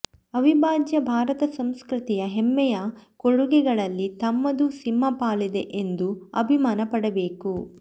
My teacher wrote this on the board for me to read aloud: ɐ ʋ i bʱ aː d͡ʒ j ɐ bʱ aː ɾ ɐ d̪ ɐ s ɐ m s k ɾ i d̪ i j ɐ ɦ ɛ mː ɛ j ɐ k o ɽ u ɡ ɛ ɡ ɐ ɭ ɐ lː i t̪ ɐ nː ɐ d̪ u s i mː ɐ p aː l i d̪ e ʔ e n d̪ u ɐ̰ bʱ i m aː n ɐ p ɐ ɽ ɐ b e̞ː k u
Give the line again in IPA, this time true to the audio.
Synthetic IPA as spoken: ɐ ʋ i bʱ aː d͡ʒ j ɐ bʱ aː ɾ ɐ t̪ ɐ s ɐ m s k ɾ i t̪ i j ɐ ɦ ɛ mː ɛ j ɐ k o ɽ u ɡ ɛ ɡ ɐ ɭ ɐ lː i t̪ ɐ mː ɐ d̪ u s i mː ɐ p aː l i d̪ e ʔ e n d̪ u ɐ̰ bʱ i m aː n ɐ p ɐ ɽ ɐ b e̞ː k u